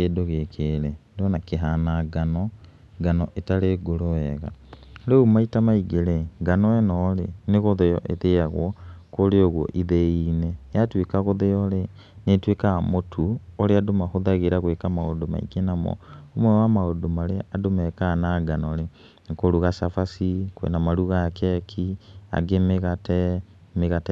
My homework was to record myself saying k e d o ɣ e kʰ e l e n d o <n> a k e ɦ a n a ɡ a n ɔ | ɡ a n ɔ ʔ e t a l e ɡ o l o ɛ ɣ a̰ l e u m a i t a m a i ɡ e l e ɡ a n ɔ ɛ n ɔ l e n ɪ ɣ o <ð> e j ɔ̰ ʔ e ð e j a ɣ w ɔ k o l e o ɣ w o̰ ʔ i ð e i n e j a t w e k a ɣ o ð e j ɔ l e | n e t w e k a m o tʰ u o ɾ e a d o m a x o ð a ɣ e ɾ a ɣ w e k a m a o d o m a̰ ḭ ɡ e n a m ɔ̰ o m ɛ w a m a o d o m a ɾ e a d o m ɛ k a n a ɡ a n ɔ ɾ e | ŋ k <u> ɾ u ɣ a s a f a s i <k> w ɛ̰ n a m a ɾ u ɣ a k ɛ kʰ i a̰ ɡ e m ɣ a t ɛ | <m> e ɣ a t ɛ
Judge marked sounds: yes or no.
yes, yes, no, yes, yes

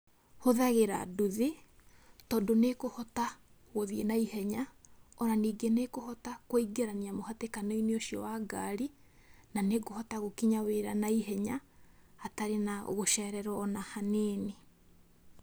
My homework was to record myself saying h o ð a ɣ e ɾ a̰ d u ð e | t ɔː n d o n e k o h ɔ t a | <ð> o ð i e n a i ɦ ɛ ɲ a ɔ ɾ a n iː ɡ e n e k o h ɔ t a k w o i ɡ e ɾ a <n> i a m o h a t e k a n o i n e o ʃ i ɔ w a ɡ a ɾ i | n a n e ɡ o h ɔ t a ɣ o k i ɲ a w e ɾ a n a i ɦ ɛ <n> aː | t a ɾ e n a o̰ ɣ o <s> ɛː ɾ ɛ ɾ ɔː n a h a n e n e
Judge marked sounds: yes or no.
no, yes, no, no

